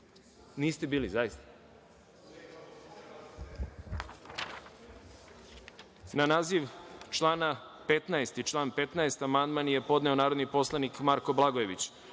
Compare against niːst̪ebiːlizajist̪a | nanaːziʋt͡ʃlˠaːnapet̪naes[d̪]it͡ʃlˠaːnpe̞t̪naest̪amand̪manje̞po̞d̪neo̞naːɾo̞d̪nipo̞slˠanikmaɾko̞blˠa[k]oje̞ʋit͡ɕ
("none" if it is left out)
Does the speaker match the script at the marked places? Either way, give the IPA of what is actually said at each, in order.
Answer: t̪, ɡ

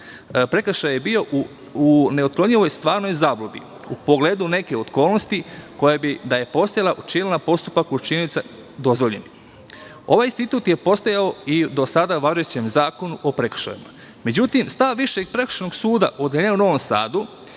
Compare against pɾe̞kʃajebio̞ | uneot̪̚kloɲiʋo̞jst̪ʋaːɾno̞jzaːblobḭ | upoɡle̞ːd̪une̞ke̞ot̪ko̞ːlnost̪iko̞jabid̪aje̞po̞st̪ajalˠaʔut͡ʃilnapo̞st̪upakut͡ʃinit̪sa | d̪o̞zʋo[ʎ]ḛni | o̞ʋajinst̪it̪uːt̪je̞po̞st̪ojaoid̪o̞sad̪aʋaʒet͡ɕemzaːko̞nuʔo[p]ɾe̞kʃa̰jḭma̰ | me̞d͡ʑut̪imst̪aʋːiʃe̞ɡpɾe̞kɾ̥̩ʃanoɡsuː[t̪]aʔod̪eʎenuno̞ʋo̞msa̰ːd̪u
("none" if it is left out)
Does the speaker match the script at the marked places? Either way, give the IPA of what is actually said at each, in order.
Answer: ʎ, p, d̪

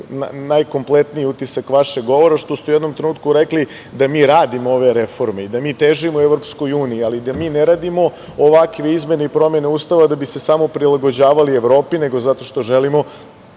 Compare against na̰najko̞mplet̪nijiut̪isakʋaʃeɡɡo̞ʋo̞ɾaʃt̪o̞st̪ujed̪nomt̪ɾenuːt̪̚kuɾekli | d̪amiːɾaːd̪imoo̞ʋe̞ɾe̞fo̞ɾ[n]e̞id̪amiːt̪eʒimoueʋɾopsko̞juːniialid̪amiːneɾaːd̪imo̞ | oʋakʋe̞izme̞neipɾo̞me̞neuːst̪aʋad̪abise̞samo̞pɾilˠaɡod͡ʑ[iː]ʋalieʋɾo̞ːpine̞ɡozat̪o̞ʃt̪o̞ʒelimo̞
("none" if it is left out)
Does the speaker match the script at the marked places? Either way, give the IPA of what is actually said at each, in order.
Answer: m, aː

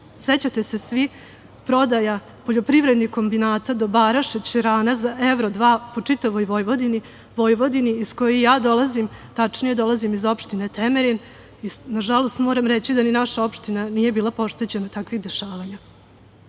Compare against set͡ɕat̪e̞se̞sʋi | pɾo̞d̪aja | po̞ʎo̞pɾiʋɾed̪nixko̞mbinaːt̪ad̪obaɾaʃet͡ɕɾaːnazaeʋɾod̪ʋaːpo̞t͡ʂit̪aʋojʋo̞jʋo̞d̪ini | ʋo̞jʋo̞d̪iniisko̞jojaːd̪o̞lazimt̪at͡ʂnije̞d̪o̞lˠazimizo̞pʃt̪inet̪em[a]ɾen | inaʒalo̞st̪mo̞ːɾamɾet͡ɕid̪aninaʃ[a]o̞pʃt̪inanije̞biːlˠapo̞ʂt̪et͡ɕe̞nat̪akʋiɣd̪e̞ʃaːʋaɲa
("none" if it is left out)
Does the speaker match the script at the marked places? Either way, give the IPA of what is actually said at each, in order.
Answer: e, a

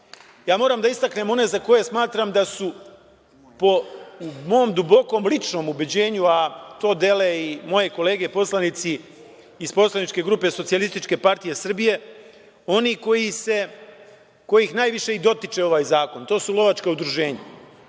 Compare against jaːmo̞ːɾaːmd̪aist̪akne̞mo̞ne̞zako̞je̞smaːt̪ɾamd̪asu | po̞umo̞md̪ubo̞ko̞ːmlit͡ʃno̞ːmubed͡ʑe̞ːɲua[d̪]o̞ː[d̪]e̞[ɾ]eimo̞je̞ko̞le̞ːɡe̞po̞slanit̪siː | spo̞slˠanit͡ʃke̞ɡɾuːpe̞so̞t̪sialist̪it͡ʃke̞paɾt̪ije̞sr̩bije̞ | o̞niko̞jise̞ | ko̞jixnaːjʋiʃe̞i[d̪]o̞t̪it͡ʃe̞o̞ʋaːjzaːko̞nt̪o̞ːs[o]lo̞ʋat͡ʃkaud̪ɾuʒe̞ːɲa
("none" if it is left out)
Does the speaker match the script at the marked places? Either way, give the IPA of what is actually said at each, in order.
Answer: t̪, d̪, l, d̪, u

